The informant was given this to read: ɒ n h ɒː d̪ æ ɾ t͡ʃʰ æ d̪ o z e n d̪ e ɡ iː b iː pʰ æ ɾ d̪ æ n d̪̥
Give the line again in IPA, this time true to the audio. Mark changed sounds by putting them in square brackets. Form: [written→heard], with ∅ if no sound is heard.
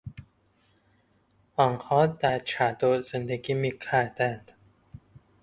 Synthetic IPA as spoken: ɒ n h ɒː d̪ æ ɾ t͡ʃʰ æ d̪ o z e n d̪ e ɡ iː [b→m] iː [pʰ→kʰ] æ ɾ d̪ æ n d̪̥